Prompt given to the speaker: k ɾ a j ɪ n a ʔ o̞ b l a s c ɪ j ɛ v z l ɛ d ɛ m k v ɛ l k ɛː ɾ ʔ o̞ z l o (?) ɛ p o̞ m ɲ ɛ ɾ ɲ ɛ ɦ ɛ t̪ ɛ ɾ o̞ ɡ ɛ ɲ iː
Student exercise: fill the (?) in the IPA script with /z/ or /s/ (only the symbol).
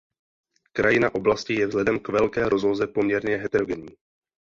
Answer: z